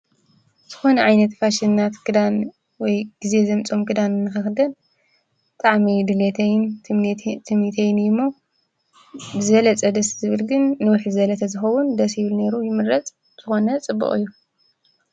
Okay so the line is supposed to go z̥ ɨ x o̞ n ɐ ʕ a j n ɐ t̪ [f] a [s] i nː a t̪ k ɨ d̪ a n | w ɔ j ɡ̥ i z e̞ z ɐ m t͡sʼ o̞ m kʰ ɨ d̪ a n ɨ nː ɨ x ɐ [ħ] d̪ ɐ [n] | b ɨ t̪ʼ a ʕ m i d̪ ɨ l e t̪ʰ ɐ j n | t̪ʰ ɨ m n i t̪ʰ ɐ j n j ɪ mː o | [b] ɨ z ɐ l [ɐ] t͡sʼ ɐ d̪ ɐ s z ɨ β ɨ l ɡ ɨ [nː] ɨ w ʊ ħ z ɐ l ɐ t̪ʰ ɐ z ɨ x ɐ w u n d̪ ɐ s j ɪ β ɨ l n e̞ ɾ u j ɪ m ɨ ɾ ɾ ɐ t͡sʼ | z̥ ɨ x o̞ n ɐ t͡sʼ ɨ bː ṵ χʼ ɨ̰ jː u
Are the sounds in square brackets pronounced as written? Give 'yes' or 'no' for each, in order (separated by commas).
yes, no, no, yes, yes, yes, yes